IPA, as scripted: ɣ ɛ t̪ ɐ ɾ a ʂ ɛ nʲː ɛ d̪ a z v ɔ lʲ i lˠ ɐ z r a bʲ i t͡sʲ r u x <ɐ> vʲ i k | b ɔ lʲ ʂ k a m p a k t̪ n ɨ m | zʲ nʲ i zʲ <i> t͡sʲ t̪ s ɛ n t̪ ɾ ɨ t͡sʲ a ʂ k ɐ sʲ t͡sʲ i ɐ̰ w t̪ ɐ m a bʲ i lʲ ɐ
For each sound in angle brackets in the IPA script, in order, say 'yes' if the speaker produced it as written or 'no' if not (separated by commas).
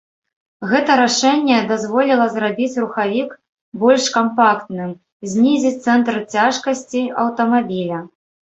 no, yes